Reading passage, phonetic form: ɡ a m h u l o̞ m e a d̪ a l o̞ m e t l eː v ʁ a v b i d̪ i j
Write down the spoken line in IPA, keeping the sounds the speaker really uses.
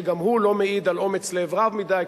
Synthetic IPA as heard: ɡ a m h u l o̞ m e i d̪ a l o̞ m e t͡s l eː v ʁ a v m i d̪ a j